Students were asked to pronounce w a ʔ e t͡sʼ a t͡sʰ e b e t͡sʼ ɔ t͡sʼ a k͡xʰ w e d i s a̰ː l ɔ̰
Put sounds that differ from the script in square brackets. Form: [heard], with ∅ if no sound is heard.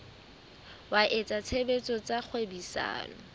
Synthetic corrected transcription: w a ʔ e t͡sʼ a t͡sʰ e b e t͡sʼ ɔ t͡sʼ a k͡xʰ w e [b] i s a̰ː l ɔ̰